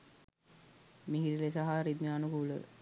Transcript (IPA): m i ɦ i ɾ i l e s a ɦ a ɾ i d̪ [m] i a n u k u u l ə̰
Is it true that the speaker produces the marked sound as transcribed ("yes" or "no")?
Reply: yes